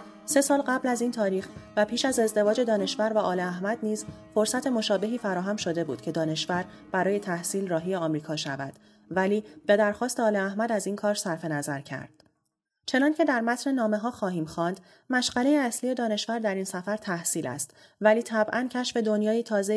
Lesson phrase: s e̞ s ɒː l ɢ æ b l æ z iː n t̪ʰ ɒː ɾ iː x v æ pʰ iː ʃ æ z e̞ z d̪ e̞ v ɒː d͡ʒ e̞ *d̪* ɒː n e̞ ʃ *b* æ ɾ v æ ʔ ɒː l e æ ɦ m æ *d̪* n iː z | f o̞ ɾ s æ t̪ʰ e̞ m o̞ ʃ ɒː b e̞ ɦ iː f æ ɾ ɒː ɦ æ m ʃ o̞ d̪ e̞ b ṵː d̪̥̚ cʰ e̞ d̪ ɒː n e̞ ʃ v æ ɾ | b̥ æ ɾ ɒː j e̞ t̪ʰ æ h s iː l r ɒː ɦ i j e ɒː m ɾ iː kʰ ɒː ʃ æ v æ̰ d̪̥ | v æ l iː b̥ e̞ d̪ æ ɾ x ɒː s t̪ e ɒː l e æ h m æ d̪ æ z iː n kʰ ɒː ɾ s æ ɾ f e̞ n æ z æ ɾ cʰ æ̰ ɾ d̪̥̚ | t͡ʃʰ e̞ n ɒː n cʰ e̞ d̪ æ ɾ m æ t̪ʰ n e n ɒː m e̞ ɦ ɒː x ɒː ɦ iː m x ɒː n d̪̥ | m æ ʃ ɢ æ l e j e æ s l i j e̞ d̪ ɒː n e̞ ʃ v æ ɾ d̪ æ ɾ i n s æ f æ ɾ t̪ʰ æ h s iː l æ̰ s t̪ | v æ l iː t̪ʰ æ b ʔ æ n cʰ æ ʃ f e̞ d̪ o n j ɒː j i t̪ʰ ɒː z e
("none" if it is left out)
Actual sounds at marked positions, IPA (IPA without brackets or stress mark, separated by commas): d̪, v, d̪